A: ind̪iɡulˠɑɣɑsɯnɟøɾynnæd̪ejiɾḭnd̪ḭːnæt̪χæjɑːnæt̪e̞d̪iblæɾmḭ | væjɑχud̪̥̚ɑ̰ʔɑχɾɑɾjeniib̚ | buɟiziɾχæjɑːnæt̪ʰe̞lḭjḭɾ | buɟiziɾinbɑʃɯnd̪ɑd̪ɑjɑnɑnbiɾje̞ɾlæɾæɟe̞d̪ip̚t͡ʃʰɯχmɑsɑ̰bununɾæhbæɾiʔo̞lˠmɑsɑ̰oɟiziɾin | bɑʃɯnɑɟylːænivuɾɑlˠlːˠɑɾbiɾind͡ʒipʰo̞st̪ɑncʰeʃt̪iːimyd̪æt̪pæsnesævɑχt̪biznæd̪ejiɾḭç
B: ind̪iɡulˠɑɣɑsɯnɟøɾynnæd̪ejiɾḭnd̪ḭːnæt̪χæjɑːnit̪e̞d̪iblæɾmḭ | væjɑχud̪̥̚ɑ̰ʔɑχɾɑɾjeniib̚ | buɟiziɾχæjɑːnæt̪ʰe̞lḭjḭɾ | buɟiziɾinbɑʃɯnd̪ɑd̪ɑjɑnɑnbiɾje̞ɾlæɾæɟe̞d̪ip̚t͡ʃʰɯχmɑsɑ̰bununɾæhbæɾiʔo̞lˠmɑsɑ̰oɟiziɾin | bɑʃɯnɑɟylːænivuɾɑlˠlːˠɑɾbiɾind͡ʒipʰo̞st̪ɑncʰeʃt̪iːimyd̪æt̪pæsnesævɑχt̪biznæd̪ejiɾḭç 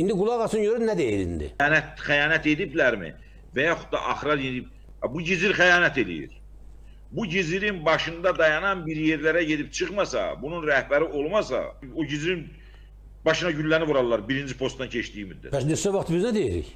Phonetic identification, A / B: A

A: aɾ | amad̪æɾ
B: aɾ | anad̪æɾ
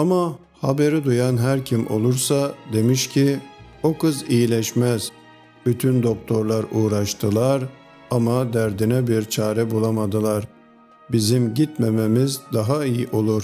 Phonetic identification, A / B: A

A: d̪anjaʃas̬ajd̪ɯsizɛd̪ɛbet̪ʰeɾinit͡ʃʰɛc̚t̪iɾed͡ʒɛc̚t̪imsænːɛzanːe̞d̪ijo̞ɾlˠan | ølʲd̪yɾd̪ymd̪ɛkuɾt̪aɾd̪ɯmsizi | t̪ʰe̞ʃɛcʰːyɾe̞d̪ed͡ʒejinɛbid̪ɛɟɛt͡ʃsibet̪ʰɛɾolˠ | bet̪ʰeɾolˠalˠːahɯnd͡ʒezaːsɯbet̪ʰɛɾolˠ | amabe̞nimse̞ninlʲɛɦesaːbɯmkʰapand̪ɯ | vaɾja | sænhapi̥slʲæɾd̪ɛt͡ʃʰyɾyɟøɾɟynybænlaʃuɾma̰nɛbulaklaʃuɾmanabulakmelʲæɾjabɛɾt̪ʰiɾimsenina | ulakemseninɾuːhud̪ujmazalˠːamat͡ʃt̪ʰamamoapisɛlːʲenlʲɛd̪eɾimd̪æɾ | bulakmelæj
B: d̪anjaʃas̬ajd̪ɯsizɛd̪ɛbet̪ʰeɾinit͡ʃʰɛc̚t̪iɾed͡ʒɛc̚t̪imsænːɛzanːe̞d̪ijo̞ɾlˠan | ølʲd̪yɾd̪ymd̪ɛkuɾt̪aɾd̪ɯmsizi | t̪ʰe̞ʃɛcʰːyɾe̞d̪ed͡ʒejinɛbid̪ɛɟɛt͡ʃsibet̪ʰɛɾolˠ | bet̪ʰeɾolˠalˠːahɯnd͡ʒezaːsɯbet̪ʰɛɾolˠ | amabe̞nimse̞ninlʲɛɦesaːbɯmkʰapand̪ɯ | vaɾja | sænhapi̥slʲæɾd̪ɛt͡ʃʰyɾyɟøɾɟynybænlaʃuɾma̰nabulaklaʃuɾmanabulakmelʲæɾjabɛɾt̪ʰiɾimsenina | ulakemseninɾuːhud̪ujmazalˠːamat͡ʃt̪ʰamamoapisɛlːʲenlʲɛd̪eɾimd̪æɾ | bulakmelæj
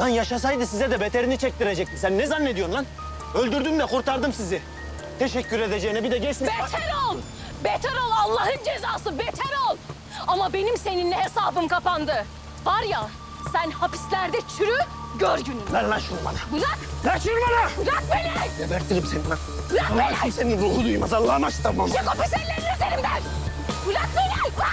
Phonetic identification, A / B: B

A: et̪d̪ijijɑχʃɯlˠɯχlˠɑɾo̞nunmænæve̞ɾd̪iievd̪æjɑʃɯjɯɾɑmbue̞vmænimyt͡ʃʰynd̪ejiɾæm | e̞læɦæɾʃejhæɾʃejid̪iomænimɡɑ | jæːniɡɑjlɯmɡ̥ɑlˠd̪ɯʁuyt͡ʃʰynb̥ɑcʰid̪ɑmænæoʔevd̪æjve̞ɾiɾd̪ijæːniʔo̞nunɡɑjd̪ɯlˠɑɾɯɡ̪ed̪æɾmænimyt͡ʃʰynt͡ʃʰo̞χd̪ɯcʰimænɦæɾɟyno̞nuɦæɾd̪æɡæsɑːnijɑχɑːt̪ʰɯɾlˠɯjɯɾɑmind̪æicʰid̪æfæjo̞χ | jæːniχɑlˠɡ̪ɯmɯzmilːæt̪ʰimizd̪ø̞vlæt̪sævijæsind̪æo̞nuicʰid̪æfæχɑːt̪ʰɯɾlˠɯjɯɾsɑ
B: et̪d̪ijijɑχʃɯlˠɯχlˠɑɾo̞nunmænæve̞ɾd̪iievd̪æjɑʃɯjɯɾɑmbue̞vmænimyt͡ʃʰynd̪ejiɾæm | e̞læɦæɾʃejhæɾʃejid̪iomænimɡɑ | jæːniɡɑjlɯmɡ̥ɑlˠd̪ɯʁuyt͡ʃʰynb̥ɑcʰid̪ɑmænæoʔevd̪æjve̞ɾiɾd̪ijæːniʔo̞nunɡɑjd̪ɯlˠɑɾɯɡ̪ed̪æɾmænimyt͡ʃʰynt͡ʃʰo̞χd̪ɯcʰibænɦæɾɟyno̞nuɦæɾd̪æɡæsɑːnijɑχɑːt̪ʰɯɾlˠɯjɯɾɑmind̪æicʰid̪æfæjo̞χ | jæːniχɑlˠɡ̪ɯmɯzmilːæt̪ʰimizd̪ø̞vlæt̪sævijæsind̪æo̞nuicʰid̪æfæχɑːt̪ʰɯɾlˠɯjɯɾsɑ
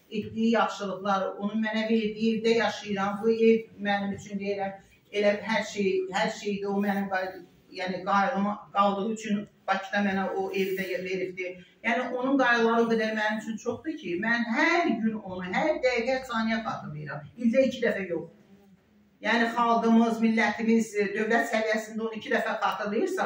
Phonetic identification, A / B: A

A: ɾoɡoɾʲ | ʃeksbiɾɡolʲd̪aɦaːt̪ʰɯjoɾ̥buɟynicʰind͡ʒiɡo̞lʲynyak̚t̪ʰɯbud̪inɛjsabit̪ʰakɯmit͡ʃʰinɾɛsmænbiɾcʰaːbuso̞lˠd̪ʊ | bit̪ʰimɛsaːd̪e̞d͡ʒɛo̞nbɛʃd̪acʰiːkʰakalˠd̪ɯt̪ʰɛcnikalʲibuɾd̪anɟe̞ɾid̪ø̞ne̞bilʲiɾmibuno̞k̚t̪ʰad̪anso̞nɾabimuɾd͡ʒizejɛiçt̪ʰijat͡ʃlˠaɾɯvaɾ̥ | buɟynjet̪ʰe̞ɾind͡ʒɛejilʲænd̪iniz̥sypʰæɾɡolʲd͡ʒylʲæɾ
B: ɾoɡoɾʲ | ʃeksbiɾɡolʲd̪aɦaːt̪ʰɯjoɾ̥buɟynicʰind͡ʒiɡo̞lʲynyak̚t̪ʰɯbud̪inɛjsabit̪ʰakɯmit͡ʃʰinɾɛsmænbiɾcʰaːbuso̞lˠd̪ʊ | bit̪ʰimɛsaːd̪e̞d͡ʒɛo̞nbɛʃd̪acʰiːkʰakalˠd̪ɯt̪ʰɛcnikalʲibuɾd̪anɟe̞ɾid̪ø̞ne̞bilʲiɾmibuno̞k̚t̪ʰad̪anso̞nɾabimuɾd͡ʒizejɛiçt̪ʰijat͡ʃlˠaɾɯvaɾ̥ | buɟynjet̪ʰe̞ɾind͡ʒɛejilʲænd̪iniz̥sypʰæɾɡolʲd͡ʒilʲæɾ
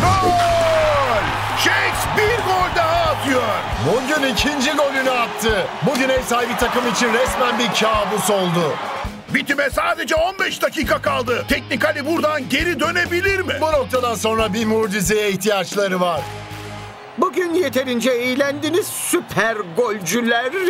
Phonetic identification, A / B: A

